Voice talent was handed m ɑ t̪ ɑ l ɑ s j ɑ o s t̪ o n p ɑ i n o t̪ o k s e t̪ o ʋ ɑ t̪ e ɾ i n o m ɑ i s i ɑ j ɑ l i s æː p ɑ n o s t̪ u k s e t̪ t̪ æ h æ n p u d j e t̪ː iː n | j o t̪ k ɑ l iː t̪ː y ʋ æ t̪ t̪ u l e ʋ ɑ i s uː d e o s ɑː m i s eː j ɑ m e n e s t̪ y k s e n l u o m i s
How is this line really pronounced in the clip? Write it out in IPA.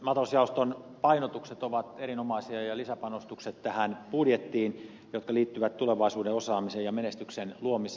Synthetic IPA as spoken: m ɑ t̪ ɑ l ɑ s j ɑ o s t̪ o n p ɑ i n o t̪ u k s e t̪ o ʋ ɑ t̪ e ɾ i n o m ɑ i s i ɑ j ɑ l i s æ p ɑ n o s t̪ u k s e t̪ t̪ æ h æ n p u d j e t̪ː iː n | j o t̪ k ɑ l iː t̪ː y ʋ æ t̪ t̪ u l e ʋ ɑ i s uː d e o s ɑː m i s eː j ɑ m e n e s t̪ y k s e n l u o m i s